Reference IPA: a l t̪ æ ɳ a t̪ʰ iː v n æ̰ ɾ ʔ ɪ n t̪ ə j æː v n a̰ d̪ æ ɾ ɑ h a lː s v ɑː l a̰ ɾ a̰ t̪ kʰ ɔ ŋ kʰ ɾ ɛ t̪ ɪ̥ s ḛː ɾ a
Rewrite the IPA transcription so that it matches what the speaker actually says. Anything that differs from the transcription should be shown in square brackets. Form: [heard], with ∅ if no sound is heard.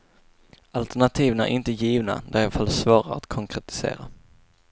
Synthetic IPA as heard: a l t̪ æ ɳ a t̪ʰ iː v n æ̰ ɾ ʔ ɪ n t̪ ə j [iː] v n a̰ d̪ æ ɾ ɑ [f] a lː s v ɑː [ɾ] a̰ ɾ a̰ t̪ kʰ ɔ ŋ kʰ ɾ ɛ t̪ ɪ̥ s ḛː ɾ a